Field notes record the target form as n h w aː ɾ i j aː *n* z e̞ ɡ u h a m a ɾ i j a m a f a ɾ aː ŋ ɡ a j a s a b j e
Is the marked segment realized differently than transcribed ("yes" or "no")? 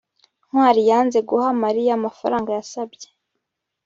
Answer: no